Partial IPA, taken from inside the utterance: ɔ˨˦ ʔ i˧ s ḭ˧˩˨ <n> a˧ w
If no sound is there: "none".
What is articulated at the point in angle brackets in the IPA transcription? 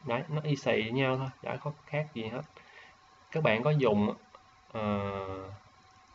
ɲ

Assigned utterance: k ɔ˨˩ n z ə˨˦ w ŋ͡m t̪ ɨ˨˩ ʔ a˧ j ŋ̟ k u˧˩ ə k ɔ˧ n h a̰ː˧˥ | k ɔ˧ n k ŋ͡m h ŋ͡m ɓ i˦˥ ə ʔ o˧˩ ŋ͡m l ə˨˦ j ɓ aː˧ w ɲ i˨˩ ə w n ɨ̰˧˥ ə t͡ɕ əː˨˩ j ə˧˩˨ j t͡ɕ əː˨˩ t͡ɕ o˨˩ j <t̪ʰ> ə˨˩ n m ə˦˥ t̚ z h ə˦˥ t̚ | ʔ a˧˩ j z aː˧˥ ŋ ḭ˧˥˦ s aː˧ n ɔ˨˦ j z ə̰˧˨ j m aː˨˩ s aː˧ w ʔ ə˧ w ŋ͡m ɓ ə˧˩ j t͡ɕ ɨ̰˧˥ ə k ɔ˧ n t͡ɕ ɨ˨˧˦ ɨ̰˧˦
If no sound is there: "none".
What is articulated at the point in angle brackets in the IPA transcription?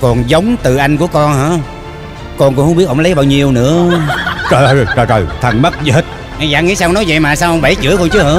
t̪ʰ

